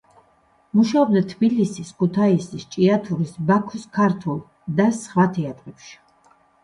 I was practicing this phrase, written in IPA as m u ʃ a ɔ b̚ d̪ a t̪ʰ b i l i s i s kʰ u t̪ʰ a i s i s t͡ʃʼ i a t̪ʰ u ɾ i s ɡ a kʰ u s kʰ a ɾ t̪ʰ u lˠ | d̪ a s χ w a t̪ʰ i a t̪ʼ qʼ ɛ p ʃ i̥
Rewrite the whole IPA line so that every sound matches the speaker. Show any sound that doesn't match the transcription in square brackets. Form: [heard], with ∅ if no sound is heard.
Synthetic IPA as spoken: m u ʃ a ɔ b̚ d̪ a t̪ʰ b i l i s i s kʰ u t̪ʰ a i s i s t͡ʃʼ i a t̪ʰ u ɾ i s [b] a kʰ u s kʰ a ɾ t̪ʰ u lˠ | d̪ a s χ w a t̪ʰ [ɛ] a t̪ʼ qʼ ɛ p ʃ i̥

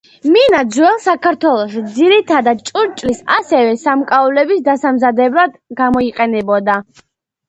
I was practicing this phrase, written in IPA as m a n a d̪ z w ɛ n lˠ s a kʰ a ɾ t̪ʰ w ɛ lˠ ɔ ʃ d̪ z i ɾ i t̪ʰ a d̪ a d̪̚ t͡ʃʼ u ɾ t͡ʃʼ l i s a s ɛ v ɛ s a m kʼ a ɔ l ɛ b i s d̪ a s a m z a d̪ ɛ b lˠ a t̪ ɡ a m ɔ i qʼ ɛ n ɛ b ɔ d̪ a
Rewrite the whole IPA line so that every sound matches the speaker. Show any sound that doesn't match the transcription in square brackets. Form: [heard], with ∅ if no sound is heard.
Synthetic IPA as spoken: m [i] n a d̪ z w ɛ [∅] lˠ s a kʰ a ɾ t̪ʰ w ɛ lˠ ɔ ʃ d̪ z i ɾ i t̪ʰ a d̪ a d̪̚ t͡ʃʼ u ɾ t͡ʃʼ l i s a s ɛ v ɛ s a m kʼ a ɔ l ɛ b i s d̪ a s a m z a d̪ ɛ b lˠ a [d̪] ɡ a m ɔ i qʼ ɛ n ɛ b ɔ d̪ a

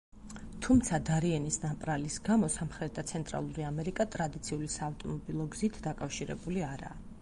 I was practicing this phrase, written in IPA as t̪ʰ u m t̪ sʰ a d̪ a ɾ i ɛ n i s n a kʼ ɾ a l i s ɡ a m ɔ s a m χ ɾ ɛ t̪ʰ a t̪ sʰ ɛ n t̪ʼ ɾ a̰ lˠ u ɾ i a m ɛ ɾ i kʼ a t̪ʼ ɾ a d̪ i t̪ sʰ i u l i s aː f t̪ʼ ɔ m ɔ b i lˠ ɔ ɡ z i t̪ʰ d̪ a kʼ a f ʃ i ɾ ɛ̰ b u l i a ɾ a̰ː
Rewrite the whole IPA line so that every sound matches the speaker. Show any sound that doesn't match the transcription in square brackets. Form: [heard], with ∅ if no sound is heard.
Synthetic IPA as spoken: t̪ʰ u m t̪ sʰ a d̪ a ɾ i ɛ n i s n a [pʼ] ɾ a l i s ɡ a m ɔ s a m χ ɾ ɛ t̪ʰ a t̪ sʰ ɛ n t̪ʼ ɾ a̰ lˠ u ɾ i a m ɛ ɾ i kʼ a t̪ʼ ɾ a d̪ i t̪ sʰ i u l i s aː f t̪ʼ ɔ m ɔ b i lˠ ɔ ɡ z i t̪ʰ d̪ a kʼ a f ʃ i ɾ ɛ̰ b u l i a ɾ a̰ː

